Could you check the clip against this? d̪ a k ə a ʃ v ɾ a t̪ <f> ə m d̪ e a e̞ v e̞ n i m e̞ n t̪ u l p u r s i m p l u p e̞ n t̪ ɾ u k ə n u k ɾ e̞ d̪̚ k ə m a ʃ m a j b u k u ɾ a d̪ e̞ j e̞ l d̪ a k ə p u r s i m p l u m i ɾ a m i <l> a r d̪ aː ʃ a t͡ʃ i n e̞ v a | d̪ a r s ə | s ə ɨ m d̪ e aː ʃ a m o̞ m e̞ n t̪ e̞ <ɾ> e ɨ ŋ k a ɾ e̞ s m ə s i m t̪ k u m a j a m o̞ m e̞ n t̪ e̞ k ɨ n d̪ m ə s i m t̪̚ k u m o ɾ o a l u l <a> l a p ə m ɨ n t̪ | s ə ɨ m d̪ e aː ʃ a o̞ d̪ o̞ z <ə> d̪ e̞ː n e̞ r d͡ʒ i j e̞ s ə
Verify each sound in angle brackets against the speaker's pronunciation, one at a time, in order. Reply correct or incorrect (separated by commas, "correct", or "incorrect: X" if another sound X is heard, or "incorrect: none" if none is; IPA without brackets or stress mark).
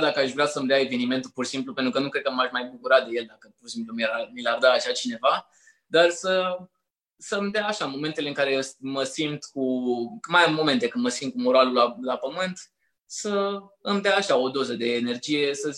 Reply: incorrect: s, correct, incorrect: l, correct, correct